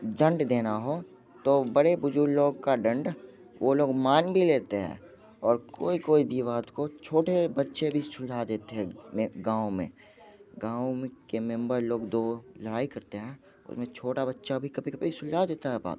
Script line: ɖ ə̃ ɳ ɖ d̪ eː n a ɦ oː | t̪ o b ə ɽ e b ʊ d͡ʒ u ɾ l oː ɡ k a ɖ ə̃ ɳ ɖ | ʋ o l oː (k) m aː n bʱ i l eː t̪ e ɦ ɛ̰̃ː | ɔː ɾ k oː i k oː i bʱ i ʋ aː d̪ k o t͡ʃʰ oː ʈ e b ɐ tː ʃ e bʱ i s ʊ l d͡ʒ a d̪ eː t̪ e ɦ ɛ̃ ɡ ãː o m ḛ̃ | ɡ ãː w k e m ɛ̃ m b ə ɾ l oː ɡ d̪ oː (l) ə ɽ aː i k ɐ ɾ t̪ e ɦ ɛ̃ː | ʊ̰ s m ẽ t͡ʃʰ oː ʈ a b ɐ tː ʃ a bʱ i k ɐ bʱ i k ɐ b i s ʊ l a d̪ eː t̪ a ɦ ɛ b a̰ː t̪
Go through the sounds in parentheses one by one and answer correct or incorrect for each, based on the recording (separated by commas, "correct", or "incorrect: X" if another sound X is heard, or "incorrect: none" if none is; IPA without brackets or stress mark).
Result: incorrect: ɡ, correct